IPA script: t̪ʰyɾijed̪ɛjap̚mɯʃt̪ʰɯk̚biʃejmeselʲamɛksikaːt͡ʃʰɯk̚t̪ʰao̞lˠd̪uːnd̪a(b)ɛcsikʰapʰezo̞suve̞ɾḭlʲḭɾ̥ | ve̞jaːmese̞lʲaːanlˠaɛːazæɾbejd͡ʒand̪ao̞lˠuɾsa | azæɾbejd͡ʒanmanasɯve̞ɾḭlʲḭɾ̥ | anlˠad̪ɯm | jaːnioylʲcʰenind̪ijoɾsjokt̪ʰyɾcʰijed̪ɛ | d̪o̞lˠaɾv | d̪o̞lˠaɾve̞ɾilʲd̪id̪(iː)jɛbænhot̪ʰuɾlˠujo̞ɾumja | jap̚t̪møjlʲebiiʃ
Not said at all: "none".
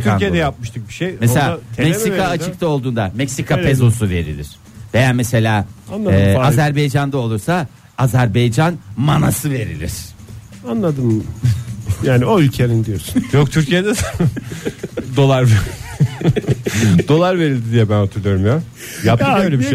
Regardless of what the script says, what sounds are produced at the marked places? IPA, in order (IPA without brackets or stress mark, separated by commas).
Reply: m, i